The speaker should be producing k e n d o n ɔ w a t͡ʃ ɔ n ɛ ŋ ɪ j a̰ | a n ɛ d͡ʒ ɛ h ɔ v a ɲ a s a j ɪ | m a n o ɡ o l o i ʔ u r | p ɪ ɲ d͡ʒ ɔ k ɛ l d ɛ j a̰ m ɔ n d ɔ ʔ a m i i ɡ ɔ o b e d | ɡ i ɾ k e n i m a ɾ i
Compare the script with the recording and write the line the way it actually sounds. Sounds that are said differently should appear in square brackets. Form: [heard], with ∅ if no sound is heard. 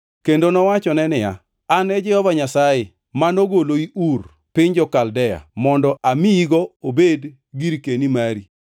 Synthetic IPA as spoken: k e n d o n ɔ w a t͡ʃ ɔ n ɛ [n] ɪ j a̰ | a n ɛ d͡ʒ ɛ h ɔ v a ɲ a s a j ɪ | m a n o ɡ o l o i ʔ u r | p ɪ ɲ d͡ʒ ɔ k [a] l d ɛ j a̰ m ɔ n d ɔ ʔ a m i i ɡ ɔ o b e d | ɡ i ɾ k e n i m a ɾ i